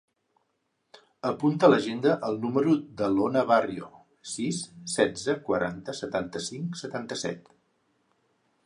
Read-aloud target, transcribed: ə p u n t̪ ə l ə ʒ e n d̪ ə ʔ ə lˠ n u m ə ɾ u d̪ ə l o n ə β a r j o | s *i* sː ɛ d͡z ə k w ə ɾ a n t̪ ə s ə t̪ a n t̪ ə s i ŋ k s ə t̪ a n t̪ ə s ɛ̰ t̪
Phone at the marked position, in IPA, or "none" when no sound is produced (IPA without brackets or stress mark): i